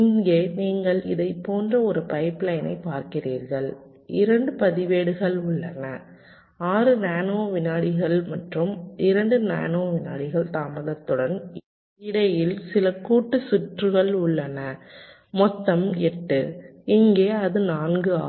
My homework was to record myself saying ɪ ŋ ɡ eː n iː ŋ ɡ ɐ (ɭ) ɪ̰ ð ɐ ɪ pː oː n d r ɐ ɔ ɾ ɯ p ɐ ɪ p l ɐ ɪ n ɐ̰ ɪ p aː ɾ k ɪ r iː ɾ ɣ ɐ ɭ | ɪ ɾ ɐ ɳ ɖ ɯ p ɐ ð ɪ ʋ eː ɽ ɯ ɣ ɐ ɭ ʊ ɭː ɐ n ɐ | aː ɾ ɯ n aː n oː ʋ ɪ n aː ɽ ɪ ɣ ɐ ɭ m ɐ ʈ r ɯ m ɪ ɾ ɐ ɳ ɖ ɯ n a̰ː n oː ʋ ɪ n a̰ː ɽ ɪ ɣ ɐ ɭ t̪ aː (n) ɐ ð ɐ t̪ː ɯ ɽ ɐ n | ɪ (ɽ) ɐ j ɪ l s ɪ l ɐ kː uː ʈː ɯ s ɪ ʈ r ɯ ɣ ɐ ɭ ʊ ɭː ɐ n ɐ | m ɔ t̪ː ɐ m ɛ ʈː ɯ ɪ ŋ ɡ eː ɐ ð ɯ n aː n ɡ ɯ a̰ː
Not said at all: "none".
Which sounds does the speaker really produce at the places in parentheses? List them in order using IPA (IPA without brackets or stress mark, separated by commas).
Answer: ɭ, m, ɽ